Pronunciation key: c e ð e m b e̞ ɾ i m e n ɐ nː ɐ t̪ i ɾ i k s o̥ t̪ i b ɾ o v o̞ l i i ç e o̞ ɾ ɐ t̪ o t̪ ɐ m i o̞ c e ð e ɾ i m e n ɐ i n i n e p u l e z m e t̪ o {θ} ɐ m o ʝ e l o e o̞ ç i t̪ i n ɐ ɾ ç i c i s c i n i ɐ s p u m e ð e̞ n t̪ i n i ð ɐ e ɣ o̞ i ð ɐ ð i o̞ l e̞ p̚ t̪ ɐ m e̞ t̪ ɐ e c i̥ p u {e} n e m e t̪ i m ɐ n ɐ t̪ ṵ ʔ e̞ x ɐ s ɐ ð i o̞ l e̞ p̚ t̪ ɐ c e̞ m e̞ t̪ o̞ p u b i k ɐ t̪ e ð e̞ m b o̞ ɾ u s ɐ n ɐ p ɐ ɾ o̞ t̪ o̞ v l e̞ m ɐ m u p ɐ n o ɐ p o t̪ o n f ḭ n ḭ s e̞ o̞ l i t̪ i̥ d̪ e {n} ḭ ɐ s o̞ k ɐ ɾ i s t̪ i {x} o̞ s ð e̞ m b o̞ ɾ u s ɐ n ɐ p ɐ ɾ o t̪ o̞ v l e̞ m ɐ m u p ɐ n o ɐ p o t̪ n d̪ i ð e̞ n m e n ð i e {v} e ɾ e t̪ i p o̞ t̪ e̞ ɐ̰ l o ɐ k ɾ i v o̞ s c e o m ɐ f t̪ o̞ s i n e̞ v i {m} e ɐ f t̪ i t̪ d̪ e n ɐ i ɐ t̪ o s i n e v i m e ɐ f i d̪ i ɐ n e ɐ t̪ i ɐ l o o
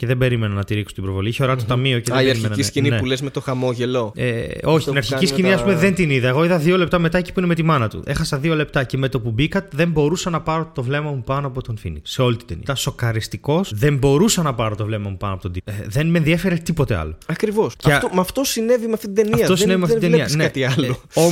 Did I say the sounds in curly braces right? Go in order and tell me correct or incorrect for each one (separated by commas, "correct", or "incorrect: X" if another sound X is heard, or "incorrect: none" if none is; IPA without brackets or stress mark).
incorrect: x, incorrect: i, correct, incorrect: k, incorrect: f, correct